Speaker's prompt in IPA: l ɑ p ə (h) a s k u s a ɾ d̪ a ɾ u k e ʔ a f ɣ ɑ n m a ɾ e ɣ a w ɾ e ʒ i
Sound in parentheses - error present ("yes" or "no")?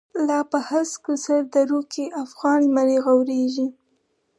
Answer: no